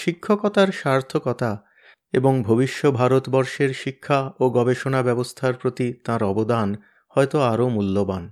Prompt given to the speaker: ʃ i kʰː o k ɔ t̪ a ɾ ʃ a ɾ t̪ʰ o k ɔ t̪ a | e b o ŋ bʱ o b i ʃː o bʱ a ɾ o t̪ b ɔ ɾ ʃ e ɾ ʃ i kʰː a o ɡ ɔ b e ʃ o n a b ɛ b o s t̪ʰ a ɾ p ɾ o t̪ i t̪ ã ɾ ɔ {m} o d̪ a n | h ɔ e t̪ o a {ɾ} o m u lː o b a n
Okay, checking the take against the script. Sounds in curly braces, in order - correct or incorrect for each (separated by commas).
incorrect, correct